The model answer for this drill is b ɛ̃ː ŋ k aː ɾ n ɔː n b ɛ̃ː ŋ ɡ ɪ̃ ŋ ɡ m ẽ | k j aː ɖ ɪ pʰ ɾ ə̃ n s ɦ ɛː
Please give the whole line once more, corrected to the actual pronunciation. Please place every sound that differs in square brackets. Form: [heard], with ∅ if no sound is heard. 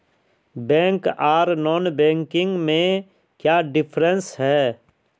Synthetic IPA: b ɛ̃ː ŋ k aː ɾ n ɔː n b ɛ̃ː ŋ [k] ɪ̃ ŋ ɡ m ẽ | k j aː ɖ ɪ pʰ ɾ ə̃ n s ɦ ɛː

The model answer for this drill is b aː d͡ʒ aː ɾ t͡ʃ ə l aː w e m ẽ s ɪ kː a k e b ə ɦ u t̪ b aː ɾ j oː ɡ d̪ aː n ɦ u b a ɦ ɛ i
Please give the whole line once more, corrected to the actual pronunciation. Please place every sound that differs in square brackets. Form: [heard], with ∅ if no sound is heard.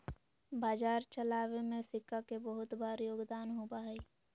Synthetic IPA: b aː d͡ʒ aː ɾ t͡ʃ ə l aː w e m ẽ s ɪ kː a k e b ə ɦ [ʊ] t̪ b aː ɾ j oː ɡ d̪ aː n ɦ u b a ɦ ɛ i

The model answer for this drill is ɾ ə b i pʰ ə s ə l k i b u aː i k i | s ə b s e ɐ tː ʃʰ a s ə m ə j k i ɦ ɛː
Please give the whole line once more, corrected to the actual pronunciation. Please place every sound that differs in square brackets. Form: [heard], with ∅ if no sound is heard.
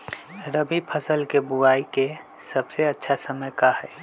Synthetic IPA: ɾ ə b i pʰ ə s ə l k [e] b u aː i k [e] | s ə b s e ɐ tː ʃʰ a s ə m ə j k [a] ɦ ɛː

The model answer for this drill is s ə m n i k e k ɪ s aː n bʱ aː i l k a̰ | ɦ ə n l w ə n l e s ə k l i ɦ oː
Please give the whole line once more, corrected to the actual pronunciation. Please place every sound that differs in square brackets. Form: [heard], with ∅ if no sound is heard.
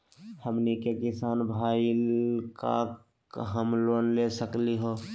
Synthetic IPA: [h] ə m n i k e k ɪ s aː n bʱ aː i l k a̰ | ɦ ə [m] l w ə n l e s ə k l i ɦ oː

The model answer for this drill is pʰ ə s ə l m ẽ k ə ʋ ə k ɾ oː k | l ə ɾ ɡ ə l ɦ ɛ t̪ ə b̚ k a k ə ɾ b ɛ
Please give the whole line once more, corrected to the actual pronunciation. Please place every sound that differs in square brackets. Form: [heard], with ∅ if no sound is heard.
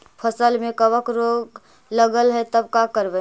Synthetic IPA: pʰ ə s ə l m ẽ k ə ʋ ə k ɾ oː [ɡ] | l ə [∅] ɡ ə l ɦ ɛ t̪ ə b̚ k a k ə ɾ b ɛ

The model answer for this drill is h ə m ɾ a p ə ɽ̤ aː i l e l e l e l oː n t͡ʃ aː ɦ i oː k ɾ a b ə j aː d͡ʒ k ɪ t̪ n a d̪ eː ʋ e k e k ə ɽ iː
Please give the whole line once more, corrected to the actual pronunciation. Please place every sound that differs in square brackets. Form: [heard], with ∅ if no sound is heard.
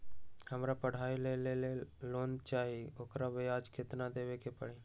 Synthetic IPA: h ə m ɾ a p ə ɽ̤ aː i l e l e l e l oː n t͡ʃ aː ɦ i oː k ɾ a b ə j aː d͡ʒ k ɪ t̪ n a d̪ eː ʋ e k e [p] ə ɽ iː

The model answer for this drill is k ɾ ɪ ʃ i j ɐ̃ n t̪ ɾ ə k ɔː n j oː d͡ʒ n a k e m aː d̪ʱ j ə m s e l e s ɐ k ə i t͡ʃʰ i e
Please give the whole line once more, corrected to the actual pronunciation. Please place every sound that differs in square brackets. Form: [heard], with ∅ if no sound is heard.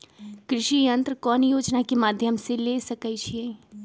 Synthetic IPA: k ɾ ɪ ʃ i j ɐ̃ n t̪ ɾ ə k ɔː n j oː d͡ʒ n a k e m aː d̪ʱ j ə m s e l e s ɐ k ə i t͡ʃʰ i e

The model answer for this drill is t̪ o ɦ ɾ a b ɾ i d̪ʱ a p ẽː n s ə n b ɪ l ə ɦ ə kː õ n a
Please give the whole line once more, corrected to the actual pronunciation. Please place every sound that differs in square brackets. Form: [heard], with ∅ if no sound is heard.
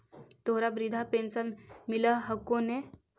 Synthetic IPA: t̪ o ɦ ɾ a b ɾ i d̪ʱ a p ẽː n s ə n [m] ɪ l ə ɦ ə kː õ n [e]

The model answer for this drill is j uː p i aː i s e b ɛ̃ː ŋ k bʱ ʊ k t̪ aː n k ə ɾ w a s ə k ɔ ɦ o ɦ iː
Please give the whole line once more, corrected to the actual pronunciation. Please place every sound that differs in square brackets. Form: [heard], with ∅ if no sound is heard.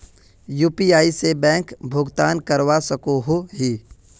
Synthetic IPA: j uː p i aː i s e b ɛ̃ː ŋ k bʱ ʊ [ɡ] t̪ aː n k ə ɾ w a s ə k [o] ɦ o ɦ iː

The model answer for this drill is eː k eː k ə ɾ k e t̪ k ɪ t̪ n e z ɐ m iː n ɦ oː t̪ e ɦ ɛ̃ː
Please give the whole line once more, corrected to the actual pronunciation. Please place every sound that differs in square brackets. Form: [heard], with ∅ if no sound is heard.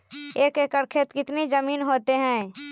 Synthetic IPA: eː k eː k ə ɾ [kʰ] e t̪ k ɪ t̪ n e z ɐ m iː n ɦ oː t̪ e ɦ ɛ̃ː

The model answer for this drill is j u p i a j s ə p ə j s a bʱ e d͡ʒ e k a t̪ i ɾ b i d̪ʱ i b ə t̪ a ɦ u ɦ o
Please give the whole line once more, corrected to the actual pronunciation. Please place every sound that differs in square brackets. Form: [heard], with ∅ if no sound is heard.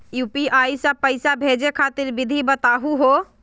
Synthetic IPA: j u p i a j s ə p ə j s a bʱ e d͡ʒ e [kʰ] a t̪ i ɾ b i d̪ʱ i b ə t̪ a ɦ u ɦ o

